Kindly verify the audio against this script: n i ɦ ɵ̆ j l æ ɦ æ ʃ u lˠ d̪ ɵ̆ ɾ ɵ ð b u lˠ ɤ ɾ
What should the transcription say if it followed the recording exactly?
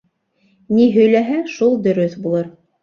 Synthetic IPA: n i ɦ ɵ̆ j l æ ɦ æ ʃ u lˠ d̪ ɵ̆ ɾ ɵ θ b u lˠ ɤ ɾ